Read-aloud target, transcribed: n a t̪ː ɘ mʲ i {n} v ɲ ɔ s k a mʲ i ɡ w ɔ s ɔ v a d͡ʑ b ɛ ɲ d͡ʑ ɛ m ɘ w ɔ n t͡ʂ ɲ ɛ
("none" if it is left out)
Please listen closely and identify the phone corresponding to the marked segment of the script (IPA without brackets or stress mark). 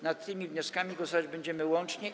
none